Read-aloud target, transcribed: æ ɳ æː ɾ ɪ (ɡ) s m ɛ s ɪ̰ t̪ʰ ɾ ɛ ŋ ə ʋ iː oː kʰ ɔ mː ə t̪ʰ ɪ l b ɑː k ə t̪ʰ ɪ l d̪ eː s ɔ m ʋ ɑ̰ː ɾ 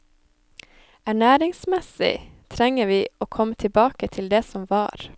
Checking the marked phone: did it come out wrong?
yes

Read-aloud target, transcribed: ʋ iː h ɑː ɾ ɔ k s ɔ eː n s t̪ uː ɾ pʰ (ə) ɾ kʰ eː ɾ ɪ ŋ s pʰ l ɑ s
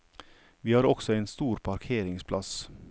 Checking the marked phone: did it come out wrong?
yes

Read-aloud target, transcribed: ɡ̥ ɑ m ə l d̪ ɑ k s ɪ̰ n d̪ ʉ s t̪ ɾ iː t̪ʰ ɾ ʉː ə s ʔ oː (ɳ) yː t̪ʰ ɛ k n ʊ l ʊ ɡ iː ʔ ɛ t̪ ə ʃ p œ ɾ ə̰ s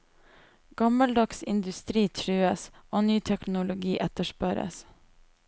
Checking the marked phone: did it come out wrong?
yes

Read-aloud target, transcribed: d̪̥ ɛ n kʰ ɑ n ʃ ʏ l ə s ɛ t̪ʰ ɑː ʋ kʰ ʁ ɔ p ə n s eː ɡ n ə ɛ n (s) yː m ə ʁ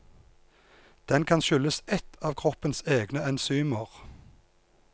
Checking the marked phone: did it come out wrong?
no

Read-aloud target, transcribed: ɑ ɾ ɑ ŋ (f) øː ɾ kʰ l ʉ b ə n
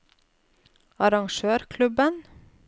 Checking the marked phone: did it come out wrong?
yes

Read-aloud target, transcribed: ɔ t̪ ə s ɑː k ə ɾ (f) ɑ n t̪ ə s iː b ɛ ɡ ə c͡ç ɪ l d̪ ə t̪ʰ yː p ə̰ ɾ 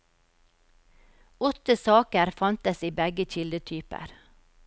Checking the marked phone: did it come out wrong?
no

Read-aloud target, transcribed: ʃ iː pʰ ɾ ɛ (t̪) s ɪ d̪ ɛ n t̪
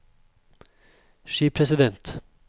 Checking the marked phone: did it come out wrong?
yes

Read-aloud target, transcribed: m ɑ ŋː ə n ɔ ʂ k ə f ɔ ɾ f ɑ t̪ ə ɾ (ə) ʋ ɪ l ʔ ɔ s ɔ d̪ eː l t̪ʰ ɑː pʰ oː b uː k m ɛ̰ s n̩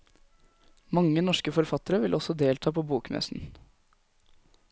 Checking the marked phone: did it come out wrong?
no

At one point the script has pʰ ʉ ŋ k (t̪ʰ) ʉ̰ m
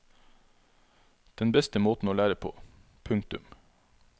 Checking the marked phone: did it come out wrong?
yes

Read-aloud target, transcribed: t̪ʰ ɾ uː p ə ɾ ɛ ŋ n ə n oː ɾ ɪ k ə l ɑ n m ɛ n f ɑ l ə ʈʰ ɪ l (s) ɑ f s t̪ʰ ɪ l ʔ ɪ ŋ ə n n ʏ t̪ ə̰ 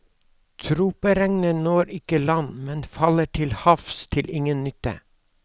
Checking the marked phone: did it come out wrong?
yes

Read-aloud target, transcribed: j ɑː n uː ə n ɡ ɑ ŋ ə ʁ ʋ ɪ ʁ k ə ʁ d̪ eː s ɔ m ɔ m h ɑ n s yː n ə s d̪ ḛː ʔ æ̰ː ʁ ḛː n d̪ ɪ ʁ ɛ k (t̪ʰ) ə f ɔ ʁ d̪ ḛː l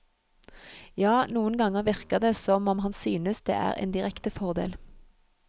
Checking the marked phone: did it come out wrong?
yes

